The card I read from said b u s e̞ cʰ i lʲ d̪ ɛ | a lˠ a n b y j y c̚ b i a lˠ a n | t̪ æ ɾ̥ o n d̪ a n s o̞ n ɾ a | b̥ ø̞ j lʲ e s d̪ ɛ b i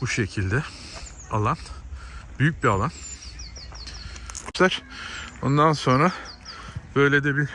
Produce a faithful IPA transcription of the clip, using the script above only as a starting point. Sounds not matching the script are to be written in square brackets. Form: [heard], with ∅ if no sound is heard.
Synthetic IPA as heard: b u [ʃ] e̞ cʰ i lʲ d̪ ɛ | a lˠ a n b y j y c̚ b i a lˠ a n | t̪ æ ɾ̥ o n d̪ a n s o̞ n ɾ a | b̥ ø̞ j lʲ e [∅] d̪ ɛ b i